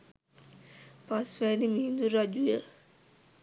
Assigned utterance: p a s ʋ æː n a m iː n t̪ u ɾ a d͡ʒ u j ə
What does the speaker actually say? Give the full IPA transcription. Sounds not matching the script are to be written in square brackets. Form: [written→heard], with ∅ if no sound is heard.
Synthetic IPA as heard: p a s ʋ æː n [a→i] m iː n [t̪→d̪] u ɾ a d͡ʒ u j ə